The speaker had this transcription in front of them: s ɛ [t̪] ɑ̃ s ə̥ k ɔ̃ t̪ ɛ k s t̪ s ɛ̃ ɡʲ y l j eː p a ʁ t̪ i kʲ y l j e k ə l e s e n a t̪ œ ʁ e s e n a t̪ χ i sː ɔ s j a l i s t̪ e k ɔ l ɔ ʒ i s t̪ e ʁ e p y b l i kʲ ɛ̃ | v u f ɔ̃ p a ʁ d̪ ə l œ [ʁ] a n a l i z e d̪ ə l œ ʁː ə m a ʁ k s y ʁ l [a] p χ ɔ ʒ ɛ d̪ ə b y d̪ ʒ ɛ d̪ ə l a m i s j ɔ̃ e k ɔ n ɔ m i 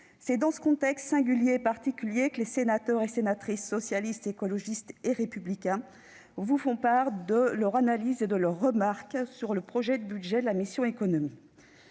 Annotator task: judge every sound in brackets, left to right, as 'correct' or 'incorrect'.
incorrect, correct, incorrect

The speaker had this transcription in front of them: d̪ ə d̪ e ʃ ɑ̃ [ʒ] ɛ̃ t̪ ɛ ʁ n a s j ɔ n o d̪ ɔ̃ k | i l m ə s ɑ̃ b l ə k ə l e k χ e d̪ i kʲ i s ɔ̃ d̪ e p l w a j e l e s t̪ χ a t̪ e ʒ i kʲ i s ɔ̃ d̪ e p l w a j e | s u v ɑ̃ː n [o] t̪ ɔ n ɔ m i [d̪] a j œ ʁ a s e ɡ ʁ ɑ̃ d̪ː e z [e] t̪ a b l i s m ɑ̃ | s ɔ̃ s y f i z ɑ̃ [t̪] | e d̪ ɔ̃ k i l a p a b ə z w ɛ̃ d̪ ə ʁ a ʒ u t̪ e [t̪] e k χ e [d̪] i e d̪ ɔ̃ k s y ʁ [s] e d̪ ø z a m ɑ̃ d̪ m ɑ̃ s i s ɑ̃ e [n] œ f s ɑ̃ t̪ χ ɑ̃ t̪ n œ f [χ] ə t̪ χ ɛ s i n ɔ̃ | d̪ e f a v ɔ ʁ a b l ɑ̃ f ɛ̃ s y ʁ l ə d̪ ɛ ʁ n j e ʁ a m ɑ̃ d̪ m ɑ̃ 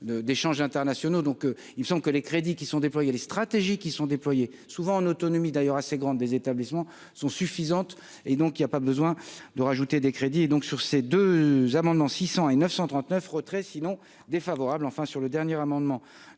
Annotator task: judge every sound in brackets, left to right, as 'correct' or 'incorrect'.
correct, correct, correct, correct, correct, incorrect, correct, correct, correct, incorrect

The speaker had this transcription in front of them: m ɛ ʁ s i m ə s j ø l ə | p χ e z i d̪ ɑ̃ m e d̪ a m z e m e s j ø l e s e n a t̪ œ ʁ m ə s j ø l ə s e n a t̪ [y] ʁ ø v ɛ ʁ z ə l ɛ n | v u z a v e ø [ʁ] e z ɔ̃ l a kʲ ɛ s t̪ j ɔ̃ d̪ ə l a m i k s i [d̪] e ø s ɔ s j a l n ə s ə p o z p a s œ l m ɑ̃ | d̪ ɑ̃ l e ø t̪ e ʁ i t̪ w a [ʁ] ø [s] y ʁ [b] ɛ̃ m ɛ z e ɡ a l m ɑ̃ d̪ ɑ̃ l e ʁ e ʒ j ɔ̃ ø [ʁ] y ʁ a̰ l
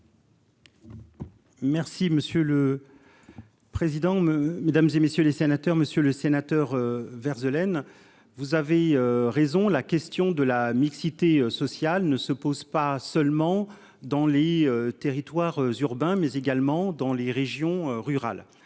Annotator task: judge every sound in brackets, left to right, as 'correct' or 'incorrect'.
incorrect, correct, incorrect, correct, incorrect, correct, correct

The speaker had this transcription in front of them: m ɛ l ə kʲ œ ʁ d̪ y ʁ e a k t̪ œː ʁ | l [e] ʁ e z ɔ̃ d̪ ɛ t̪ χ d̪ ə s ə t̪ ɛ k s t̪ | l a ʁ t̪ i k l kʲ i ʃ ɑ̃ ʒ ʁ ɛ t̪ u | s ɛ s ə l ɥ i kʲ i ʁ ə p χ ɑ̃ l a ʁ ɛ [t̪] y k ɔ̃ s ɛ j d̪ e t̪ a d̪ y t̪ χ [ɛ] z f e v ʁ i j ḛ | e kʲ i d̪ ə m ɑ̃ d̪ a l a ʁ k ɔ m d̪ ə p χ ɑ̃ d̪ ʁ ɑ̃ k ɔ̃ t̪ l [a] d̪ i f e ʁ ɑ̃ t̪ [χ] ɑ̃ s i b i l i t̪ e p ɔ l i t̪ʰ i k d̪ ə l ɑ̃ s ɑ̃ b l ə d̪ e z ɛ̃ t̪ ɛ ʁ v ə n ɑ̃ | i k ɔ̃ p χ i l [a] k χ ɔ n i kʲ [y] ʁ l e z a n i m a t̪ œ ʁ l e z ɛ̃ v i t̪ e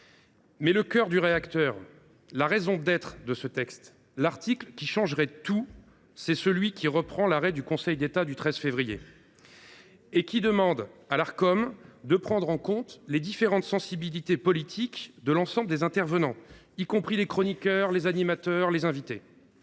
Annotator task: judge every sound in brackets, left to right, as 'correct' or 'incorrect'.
incorrect, incorrect, correct, incorrect, incorrect, incorrect, incorrect

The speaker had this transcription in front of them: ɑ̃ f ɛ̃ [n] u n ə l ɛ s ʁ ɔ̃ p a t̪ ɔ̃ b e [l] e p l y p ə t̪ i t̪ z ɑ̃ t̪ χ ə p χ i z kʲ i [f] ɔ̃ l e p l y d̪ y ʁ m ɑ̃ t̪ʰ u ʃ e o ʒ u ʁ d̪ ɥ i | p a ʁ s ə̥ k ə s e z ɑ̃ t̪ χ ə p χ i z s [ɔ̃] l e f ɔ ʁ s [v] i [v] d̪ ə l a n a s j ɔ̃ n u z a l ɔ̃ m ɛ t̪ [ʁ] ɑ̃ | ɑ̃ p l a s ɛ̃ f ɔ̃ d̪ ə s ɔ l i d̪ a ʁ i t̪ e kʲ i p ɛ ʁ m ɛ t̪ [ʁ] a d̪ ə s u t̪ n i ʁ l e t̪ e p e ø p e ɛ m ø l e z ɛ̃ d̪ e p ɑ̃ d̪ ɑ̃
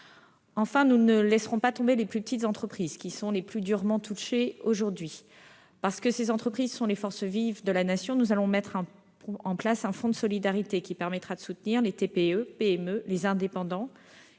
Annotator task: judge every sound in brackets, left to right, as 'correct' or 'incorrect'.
correct, correct, incorrect, correct, correct, correct, incorrect, incorrect

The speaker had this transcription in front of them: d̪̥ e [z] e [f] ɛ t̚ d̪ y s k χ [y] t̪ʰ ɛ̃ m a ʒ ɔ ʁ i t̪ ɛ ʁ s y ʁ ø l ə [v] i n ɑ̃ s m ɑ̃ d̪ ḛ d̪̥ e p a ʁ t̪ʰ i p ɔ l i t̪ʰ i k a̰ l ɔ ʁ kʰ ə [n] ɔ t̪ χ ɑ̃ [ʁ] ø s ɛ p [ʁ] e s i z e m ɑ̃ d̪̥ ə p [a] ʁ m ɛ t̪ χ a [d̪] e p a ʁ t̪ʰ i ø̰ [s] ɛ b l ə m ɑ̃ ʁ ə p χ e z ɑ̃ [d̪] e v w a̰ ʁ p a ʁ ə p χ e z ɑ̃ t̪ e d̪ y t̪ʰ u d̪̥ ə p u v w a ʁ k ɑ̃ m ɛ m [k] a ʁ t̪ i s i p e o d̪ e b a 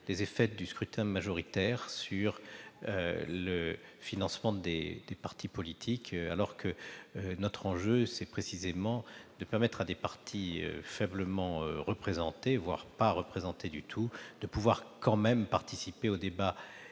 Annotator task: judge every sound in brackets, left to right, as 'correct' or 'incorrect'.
correct, correct, correct, incorrect, correct, incorrect, incorrect, incorrect, correct, incorrect, incorrect, incorrect

